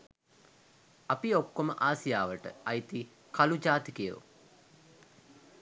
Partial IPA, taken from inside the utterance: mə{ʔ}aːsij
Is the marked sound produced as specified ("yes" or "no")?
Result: yes